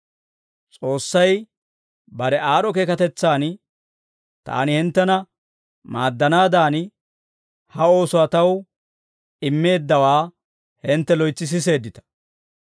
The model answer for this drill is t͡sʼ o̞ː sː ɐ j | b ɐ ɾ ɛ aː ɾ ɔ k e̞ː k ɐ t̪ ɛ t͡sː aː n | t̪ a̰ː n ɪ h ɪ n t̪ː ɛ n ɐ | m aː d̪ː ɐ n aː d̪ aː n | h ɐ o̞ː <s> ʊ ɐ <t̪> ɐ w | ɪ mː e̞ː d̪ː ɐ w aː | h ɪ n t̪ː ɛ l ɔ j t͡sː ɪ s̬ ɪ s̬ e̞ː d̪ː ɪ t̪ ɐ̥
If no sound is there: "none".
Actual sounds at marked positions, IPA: s, t̪

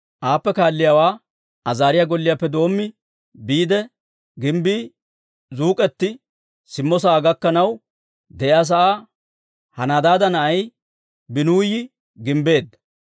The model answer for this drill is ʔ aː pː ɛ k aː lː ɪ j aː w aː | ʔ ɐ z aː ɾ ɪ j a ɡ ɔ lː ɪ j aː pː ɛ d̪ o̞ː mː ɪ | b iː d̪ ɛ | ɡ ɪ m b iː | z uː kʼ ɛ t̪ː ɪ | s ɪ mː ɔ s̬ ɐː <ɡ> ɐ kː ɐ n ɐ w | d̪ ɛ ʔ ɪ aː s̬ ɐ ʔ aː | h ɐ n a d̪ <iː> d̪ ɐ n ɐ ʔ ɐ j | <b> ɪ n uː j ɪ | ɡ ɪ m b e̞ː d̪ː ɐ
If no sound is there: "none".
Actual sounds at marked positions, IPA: ɡ, aː, b

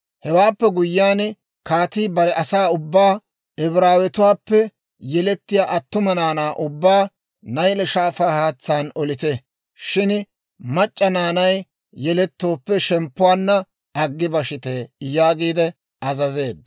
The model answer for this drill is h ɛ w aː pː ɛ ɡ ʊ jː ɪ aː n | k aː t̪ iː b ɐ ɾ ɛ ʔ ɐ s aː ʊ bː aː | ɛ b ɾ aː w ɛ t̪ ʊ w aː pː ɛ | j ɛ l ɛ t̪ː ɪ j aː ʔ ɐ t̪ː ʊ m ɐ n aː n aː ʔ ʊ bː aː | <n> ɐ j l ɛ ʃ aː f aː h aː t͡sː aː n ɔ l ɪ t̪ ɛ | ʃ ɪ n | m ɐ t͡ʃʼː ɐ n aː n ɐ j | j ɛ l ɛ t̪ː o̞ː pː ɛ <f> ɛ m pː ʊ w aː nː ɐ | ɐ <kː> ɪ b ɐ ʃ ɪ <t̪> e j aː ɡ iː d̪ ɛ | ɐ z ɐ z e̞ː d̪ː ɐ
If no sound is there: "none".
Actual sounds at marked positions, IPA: n, ʃ, ɡː, t̪

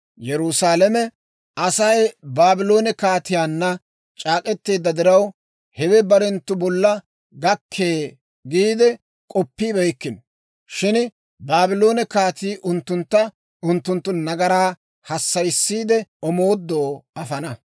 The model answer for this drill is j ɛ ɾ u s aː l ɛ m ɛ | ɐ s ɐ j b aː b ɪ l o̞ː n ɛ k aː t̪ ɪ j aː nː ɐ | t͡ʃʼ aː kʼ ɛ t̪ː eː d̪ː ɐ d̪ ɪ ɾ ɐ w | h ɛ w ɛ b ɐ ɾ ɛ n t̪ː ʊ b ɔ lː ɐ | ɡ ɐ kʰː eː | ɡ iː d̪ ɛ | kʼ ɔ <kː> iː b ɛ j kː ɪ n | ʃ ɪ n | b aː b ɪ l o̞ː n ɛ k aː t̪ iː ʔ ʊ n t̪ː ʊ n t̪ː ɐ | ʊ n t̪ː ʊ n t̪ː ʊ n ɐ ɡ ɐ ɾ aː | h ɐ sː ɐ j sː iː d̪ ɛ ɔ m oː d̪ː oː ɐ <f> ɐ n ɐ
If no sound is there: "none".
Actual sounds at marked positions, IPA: pː, f

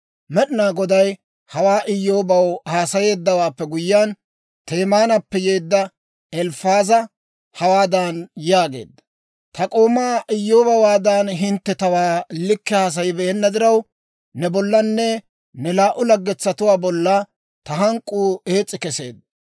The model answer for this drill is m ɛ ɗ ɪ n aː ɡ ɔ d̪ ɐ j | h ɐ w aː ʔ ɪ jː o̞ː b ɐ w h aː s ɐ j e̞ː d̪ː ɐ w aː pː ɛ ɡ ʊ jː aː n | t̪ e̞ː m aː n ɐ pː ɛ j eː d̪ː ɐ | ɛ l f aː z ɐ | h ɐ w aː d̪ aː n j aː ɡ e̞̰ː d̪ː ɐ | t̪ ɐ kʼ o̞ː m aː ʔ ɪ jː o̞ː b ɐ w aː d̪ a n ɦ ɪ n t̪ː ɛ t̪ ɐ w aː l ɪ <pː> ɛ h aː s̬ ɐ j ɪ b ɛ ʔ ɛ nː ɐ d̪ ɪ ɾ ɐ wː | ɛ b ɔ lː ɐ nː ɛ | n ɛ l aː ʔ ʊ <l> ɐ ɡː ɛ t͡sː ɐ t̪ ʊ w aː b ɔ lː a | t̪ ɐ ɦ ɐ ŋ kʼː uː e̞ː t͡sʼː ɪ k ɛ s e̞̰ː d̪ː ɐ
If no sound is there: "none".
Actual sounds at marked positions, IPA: kː, l

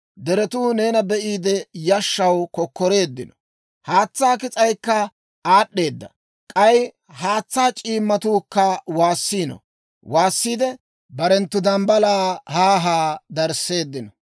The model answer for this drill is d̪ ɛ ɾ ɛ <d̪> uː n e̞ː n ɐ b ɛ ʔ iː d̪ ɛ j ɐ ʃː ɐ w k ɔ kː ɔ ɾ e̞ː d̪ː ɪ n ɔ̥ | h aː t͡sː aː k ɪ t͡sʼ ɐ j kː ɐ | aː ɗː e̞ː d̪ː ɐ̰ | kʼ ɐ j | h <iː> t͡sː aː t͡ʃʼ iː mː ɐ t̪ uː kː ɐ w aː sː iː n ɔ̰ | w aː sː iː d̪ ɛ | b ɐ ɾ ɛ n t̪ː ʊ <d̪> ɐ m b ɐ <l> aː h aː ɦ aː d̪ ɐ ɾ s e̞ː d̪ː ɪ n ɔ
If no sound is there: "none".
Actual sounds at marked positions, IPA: t̪, aː, d̪, l

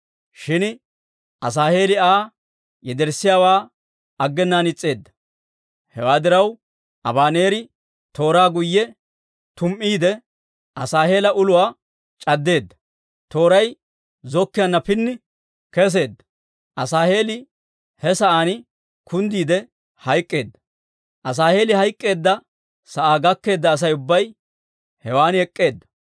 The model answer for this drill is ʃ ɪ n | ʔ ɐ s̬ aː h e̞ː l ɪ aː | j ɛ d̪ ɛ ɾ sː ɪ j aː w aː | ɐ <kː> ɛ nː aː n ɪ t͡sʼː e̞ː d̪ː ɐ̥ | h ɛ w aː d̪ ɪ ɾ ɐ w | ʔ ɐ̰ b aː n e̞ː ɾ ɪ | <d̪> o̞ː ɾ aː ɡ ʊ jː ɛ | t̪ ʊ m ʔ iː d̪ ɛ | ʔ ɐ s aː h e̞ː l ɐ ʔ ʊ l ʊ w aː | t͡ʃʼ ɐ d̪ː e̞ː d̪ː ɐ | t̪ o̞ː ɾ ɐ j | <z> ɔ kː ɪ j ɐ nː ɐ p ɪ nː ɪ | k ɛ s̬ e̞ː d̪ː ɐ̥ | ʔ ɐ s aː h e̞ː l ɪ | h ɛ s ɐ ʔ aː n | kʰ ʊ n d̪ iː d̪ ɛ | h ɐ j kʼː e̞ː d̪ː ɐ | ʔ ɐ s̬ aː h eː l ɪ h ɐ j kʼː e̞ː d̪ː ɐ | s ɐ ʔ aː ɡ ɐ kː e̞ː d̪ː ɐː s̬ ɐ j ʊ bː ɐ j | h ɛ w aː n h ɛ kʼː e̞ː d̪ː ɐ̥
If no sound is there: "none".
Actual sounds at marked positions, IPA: ɡː, t̪, z

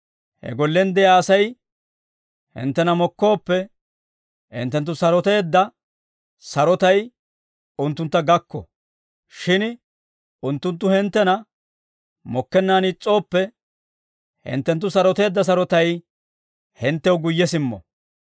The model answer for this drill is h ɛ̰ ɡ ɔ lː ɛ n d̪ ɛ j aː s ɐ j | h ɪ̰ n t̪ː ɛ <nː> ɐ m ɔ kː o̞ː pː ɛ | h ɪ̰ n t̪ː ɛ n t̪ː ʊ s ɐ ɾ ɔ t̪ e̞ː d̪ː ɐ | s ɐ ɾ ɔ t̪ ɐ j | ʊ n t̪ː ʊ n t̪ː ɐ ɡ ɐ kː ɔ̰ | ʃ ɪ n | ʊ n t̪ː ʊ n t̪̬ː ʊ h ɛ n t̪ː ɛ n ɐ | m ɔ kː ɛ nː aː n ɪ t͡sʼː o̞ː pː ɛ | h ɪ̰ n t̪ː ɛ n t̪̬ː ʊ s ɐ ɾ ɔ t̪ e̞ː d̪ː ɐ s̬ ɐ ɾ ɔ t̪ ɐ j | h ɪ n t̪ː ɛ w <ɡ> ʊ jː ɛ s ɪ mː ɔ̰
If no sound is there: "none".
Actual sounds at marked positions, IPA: n, ɡ

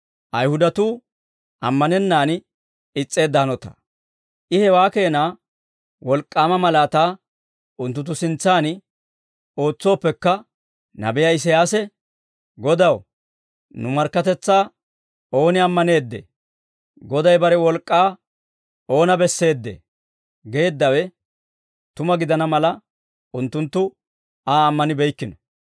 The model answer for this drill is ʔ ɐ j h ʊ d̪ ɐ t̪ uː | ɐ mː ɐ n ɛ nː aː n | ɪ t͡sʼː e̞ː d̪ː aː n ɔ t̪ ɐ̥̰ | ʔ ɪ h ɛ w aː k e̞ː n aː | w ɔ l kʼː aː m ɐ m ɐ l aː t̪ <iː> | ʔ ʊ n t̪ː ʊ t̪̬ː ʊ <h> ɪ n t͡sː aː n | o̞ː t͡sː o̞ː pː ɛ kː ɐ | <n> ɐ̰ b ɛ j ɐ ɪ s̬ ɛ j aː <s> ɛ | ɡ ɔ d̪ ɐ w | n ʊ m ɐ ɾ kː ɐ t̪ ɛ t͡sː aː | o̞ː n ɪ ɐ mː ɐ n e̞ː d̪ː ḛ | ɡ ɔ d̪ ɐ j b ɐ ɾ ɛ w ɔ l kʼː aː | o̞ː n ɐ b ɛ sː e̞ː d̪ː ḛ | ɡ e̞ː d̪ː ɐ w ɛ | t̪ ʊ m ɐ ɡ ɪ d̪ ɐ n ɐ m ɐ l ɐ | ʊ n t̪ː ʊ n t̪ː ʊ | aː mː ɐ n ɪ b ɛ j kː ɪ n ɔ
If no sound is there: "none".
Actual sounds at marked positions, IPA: aː, s, n, s

